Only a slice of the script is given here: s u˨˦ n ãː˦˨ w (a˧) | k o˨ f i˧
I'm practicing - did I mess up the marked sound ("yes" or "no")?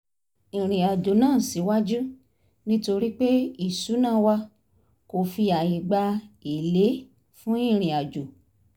no